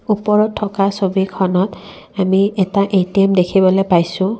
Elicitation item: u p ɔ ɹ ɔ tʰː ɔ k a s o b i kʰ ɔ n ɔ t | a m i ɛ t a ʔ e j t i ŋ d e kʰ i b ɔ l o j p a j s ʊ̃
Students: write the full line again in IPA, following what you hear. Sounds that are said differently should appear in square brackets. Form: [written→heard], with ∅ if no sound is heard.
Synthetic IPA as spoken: u p ɔ ɹ ɔ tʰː ɔ k a s o b i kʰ ɔ n ɔ t | a m i ɛ t a ʔ e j t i [ŋ→m] d e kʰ i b ɔ l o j p a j s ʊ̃